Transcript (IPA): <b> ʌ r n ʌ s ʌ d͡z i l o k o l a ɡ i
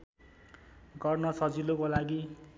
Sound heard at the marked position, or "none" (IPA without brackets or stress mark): ɡ